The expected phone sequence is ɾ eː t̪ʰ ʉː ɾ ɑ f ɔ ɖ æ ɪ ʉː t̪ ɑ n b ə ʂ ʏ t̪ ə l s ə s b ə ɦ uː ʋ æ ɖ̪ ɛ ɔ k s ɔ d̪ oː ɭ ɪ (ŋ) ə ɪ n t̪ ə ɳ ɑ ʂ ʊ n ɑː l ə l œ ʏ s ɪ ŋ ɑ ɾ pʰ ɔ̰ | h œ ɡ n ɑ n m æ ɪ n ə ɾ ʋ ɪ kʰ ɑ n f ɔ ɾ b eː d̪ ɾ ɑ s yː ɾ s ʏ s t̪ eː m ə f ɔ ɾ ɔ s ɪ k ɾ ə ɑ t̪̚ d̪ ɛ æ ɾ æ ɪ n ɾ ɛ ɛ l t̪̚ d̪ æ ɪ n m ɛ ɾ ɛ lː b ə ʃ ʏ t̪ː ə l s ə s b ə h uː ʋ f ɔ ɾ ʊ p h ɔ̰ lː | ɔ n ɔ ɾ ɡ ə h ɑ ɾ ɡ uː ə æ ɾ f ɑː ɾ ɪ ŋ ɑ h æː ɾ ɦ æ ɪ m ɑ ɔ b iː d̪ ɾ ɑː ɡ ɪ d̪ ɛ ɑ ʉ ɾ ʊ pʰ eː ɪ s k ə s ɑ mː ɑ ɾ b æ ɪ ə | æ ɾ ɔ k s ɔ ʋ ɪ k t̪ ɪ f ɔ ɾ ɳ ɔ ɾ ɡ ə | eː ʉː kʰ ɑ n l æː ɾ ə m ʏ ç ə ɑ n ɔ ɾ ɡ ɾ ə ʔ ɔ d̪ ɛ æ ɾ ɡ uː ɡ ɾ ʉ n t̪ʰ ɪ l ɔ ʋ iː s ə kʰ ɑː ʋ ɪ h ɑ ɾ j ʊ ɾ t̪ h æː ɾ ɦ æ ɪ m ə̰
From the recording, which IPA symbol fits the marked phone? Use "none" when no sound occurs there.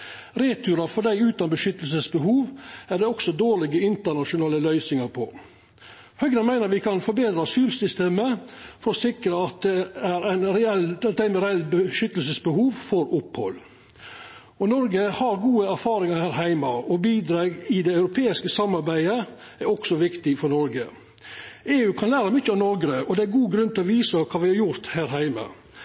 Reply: ɡ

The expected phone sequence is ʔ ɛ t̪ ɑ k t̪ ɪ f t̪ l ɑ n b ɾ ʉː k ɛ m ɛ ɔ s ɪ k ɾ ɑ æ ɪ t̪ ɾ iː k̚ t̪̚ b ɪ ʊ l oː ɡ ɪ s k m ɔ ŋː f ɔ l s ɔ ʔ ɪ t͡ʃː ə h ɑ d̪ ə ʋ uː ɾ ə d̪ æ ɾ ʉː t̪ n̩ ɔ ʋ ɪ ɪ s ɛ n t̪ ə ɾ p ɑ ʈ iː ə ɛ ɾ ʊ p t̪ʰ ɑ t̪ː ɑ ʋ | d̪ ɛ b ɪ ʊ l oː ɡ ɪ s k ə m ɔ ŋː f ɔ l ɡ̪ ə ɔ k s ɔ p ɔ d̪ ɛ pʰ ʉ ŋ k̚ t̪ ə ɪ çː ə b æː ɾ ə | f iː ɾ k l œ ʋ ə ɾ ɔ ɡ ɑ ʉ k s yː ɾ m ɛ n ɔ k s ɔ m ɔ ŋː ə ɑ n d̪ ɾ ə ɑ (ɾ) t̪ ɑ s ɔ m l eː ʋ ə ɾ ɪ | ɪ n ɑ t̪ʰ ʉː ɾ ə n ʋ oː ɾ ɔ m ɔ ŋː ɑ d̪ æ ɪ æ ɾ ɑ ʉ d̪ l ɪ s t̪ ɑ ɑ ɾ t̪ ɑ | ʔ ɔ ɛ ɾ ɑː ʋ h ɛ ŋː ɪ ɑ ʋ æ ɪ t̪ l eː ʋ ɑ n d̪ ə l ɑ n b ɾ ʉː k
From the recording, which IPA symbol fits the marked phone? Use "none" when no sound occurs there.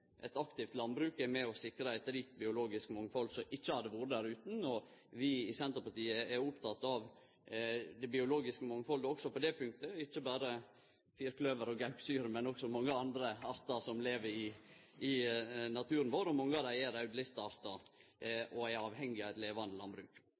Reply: ɾ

